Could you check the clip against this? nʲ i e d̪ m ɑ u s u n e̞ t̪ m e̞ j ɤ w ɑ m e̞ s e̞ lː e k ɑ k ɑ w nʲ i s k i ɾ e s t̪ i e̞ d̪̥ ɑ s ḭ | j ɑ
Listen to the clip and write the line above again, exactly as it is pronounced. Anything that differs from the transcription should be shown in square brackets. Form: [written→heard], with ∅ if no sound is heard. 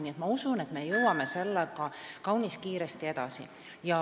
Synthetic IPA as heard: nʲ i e [d̪→t̪] m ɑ u s u n e̞ t̪ m e̞ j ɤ w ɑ m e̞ s e̞ lː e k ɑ k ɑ w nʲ i s k [i→iː] ɾ e s t̪ i e̞ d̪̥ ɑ s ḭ | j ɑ

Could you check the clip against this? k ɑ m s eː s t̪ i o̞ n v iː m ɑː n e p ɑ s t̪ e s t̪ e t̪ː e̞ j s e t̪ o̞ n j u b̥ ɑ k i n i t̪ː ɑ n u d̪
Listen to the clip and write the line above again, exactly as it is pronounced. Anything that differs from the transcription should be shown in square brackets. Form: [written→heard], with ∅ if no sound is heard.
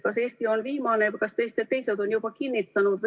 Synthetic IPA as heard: k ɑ [m→∅] s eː s t̪ i o̞ n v iː m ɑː n e [p→k] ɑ s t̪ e s t̪ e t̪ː e̞ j s e [t̪→d̪] o̞ n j u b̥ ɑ k i [n→nː] i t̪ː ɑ n u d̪

